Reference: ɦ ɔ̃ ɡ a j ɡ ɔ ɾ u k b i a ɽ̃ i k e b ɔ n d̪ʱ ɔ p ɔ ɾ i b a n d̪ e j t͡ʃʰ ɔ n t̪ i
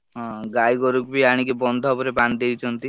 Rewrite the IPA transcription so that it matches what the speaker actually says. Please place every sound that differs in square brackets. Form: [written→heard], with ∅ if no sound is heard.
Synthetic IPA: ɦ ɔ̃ ɡ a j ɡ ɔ ɾ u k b i a ɽ̃ i k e b ɔ n d̪ʱ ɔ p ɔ ɾ [i→e] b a n d̪ e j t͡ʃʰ ɔ n t̪ i